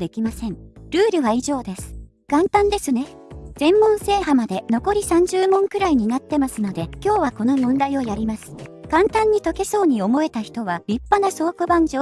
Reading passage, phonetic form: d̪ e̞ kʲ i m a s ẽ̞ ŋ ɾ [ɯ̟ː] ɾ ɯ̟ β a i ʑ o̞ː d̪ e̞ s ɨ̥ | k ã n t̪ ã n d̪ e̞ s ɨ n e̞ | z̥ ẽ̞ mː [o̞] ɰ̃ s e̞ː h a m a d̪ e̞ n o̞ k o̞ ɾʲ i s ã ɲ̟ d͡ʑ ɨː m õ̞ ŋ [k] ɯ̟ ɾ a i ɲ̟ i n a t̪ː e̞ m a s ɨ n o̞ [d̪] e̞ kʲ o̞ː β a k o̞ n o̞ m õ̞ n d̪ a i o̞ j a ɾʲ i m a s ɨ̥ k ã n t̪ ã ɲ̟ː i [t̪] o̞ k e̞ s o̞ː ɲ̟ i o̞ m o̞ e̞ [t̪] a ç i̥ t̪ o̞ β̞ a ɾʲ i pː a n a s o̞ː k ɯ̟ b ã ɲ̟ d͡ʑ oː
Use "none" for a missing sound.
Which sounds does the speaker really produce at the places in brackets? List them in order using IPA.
ɯ̟ː, õ̞, k, d̪, t̪, t̪

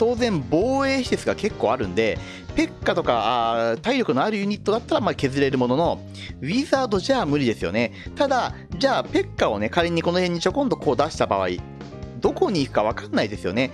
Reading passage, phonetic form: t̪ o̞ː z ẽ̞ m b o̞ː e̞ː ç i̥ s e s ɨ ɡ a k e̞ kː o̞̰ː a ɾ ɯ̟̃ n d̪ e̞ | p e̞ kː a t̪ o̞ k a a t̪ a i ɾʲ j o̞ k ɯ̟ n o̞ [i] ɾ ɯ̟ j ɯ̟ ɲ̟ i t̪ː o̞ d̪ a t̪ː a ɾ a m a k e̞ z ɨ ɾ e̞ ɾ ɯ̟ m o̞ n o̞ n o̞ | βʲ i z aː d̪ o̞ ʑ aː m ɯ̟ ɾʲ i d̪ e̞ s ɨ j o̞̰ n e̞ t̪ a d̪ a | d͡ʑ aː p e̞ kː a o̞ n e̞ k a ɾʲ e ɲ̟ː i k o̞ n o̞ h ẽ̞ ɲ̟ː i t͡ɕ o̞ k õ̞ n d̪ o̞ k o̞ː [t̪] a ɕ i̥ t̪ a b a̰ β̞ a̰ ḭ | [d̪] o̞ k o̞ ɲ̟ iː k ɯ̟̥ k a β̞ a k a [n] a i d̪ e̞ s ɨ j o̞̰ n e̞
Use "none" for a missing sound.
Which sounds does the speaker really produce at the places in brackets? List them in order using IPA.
a, d̪, d̪, nː

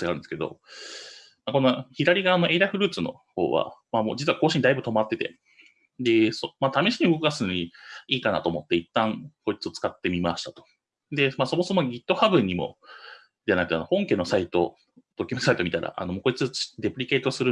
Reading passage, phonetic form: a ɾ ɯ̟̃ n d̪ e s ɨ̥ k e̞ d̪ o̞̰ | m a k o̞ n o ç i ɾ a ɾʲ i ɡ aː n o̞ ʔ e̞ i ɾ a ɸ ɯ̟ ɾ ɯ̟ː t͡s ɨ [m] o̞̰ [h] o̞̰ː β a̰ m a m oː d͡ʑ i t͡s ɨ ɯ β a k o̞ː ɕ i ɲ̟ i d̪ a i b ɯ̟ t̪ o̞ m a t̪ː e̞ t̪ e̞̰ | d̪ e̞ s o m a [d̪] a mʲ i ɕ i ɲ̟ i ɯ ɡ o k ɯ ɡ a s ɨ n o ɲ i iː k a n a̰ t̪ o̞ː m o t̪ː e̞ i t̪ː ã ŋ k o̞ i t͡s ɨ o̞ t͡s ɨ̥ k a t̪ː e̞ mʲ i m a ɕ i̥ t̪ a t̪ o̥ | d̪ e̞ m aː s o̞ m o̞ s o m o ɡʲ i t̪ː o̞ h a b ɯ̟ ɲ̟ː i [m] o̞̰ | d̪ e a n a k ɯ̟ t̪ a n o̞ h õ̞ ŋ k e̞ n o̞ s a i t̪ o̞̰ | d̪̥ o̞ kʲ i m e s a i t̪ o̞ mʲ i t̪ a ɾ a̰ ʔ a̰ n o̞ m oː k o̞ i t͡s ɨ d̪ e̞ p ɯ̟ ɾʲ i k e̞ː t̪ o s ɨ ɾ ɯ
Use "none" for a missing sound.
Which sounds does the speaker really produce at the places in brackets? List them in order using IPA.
n, h, t̪, m

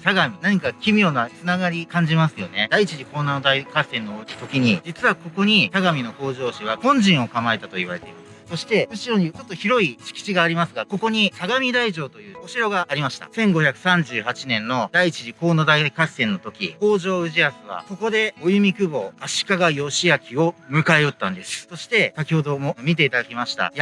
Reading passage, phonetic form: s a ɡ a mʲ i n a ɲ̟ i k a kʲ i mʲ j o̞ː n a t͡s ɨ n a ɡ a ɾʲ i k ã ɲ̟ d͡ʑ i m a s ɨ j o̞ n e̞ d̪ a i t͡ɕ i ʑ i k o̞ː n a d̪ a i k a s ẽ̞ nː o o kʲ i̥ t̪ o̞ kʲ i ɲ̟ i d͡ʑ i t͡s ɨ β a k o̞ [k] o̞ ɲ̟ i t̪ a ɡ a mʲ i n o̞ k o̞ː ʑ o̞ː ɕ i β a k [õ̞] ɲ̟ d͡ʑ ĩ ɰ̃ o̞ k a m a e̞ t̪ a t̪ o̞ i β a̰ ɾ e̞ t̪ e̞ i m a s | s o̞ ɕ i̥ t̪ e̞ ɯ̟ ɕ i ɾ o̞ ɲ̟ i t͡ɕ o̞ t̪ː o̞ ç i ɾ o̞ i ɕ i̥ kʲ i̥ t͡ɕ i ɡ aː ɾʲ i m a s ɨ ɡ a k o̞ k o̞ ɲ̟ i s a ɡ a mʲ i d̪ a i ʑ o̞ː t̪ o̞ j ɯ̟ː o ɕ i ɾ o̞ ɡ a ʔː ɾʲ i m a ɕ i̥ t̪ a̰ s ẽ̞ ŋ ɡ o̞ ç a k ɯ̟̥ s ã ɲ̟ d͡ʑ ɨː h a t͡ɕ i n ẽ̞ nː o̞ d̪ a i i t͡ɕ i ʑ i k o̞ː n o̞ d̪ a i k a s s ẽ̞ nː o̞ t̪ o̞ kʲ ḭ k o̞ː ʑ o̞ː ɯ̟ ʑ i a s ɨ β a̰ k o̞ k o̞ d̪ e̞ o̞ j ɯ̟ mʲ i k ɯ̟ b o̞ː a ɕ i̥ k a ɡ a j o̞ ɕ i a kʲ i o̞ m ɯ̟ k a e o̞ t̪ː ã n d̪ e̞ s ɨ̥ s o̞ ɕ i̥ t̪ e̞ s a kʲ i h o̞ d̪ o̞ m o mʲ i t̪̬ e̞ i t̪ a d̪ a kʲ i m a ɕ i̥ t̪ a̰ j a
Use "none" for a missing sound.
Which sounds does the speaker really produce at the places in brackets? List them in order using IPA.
k, õ̞

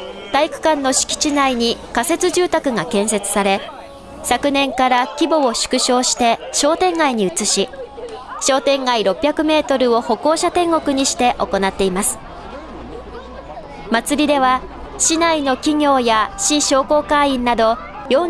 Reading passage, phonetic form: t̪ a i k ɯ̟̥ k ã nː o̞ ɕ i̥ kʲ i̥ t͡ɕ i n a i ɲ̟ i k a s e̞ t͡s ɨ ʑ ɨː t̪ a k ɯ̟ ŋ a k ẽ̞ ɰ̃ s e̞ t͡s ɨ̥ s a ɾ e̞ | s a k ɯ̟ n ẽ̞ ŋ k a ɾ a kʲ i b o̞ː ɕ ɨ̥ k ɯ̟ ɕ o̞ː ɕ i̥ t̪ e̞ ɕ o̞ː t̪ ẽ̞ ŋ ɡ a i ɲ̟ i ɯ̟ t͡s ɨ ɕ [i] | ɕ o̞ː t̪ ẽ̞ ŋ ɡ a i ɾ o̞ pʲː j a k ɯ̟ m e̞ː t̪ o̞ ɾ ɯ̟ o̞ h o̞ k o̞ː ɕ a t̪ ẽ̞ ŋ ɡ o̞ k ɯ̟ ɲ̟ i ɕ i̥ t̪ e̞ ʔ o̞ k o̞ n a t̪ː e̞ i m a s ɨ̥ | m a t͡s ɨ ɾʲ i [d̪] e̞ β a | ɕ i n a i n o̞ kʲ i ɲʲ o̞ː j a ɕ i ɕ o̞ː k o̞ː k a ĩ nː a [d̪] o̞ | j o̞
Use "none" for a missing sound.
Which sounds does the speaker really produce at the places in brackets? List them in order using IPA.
i, d̪, d̪

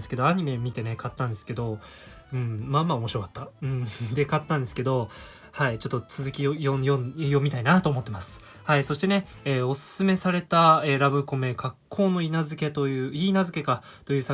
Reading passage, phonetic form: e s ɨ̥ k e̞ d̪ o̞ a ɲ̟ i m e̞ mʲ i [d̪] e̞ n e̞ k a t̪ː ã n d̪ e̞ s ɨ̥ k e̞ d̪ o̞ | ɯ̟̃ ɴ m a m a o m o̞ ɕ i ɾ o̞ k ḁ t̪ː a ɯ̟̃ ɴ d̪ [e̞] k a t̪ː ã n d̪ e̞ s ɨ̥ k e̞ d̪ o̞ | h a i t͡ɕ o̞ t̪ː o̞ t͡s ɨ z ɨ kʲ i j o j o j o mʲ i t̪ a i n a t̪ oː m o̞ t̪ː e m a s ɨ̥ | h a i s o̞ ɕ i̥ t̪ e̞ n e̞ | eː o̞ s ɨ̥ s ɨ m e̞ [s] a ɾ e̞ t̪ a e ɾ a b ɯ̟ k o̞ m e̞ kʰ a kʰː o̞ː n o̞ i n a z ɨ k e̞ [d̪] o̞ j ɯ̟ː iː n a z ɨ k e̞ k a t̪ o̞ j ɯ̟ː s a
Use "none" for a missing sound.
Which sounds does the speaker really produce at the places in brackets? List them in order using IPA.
t̪, e̞, s, t̪

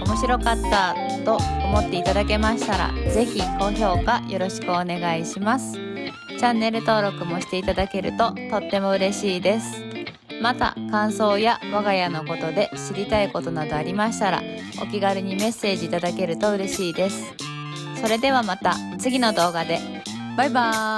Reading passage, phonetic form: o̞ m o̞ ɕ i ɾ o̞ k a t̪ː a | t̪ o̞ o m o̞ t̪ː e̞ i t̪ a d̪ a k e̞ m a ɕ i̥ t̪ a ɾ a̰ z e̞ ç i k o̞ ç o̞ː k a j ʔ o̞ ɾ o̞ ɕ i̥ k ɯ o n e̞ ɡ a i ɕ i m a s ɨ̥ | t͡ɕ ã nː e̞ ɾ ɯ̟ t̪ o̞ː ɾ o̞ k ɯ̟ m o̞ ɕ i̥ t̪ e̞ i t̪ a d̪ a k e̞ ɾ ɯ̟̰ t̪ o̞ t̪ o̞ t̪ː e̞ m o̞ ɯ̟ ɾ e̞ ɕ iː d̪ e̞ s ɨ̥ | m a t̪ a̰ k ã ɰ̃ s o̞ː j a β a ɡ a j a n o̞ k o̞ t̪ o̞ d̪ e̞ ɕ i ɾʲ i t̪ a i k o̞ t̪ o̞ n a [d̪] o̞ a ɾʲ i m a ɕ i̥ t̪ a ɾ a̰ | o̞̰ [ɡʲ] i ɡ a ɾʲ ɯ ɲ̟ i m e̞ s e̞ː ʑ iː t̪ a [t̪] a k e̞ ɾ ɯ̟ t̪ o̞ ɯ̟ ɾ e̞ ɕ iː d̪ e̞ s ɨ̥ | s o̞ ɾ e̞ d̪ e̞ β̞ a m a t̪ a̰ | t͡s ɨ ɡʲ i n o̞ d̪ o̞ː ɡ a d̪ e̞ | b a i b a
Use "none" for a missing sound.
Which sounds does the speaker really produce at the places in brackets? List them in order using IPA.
d̪, kʲ, d̪

